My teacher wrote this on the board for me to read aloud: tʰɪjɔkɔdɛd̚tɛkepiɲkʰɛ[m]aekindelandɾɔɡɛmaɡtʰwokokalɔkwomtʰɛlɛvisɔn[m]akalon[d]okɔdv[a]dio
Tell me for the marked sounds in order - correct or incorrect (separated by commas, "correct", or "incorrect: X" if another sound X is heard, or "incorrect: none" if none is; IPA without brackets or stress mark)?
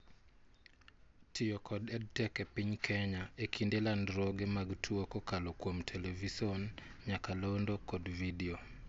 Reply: incorrect: ɲ, incorrect: ɲ, correct, incorrect: i